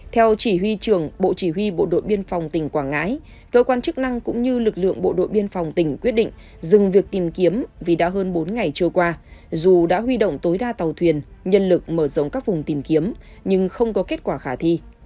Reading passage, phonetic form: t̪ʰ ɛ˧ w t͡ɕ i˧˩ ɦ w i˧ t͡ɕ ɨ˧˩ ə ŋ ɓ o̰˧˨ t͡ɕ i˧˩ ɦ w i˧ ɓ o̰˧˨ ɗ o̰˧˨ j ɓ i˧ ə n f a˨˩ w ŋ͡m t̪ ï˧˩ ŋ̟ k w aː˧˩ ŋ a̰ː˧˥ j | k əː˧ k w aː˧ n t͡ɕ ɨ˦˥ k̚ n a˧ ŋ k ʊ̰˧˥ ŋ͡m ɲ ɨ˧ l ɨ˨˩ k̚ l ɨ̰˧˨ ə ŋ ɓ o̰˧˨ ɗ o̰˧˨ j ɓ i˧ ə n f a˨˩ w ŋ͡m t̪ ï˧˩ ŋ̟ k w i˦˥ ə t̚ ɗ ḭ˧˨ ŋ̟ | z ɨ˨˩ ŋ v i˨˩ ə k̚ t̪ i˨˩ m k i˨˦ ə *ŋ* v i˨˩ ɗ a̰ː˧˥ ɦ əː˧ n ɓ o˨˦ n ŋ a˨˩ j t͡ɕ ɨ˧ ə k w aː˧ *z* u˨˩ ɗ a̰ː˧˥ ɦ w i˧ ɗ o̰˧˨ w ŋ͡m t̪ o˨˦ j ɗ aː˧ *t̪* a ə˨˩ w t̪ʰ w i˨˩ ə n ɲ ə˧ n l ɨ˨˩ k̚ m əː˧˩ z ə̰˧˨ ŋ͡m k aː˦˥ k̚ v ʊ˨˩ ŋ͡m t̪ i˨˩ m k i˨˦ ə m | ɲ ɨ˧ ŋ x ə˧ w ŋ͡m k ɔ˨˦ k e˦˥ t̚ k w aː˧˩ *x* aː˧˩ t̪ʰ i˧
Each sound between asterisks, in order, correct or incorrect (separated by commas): incorrect, correct, correct, correct